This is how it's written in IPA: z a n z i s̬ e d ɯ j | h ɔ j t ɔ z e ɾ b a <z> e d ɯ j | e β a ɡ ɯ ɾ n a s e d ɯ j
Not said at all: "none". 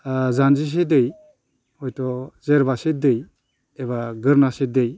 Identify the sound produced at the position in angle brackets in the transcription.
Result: s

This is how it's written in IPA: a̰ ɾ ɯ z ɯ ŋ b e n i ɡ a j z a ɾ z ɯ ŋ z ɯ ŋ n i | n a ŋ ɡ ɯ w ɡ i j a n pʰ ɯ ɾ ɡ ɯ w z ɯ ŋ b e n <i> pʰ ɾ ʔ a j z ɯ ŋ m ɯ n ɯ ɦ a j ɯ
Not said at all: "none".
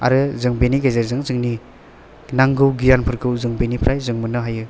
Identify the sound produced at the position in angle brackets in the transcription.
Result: i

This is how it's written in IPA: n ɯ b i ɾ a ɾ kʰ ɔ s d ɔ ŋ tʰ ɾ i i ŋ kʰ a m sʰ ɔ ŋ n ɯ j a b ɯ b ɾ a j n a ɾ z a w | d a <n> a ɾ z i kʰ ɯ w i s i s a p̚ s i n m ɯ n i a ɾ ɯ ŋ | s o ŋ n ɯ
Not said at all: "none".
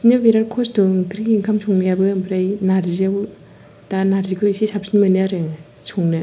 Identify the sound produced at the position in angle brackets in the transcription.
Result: n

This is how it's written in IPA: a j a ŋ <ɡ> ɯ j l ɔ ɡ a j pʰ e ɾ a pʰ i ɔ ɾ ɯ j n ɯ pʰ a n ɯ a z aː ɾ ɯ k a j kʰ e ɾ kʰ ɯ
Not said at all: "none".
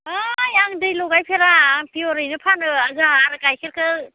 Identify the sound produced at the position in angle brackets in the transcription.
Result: d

